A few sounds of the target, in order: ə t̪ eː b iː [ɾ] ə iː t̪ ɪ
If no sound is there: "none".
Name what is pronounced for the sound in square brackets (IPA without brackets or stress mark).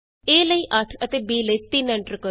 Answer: l